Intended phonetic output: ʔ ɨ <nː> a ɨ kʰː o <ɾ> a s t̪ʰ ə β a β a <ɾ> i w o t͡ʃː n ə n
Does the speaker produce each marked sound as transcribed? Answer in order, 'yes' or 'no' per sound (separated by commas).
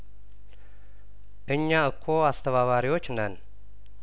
no, no, yes